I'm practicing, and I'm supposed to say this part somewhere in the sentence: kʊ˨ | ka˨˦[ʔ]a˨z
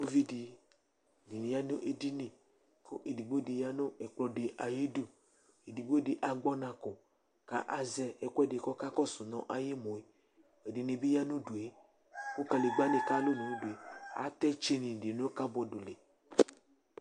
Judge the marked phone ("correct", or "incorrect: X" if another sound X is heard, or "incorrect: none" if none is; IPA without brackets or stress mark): correct